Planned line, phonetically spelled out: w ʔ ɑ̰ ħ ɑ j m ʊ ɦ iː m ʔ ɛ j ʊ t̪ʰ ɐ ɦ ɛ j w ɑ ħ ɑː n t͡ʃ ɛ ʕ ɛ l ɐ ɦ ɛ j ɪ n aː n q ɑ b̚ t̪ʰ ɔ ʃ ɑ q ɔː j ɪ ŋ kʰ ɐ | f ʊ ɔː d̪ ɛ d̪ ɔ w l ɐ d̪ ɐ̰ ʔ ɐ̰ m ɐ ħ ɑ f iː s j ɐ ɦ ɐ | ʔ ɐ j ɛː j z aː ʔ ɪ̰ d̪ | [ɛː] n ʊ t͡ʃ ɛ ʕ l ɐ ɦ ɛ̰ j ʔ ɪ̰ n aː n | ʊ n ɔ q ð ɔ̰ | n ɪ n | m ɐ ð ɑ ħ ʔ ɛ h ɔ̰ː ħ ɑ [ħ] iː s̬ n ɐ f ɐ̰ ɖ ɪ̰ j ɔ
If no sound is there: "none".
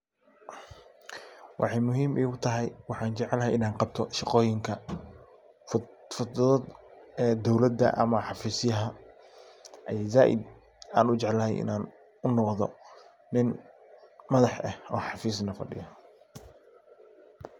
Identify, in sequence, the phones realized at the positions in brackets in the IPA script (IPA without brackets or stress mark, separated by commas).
aː, f